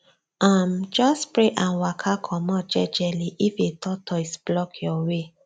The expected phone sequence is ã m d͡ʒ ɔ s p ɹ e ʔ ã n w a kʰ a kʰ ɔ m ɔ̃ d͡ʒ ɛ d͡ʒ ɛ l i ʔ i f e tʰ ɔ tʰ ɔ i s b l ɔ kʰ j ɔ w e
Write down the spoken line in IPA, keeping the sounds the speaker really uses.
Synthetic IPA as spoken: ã m d͡ʒ ɔ s p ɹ e ʔ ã n w a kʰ a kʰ ɔ m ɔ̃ d͡ʒ ɛ d͡ʒ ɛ l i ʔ i f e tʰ ɔ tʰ ɔ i s b l ɔ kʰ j ɔ w e